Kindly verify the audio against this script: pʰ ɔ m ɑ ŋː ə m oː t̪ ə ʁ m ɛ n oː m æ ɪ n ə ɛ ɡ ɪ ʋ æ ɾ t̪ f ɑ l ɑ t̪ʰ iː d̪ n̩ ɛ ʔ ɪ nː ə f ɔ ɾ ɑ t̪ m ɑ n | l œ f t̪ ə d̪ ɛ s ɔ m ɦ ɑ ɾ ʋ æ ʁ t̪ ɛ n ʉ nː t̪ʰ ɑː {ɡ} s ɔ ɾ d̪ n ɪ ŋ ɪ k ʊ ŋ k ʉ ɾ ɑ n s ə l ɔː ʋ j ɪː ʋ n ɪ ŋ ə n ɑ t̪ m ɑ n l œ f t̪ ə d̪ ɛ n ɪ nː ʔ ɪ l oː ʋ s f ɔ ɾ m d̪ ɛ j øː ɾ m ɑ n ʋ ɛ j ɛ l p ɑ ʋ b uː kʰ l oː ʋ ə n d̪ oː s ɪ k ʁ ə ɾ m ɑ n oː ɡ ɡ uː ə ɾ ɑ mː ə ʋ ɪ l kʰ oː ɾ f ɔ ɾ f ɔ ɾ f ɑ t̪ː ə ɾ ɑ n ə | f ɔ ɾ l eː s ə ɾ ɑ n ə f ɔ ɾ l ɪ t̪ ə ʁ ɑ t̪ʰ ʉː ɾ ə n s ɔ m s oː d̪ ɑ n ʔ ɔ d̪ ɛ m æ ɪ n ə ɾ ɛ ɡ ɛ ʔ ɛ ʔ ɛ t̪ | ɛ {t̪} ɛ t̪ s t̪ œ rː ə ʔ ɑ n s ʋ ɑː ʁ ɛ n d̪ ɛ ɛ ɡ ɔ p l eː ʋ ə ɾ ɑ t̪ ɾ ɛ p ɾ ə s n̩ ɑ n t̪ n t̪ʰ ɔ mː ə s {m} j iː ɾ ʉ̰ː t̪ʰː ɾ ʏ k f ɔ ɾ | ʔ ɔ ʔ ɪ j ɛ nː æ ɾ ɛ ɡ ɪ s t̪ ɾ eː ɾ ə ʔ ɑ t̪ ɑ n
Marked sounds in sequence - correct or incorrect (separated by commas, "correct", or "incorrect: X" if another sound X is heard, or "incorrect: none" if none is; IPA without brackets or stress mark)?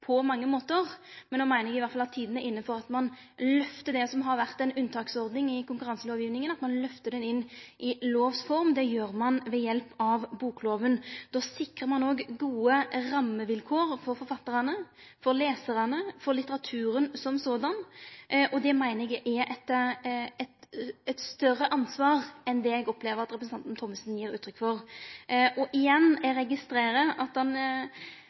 incorrect: k, correct, incorrect: n